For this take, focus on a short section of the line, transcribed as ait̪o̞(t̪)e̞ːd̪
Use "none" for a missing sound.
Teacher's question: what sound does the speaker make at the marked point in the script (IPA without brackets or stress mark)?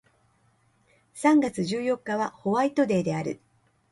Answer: d̪